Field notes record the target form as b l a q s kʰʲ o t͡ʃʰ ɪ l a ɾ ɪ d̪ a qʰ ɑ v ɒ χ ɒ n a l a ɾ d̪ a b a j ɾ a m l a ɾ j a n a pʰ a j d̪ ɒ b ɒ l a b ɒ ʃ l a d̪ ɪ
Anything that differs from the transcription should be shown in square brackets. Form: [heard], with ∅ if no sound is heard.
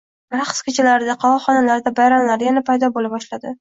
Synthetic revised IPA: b [ɾ] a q s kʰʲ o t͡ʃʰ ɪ l a ɾ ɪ d̪ a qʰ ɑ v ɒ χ ɒ n a l a ɾ d̪ a b a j ɾ a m l a ɾ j a n a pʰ a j d̪ ɒ b [o] l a b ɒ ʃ l a d̪ ɪ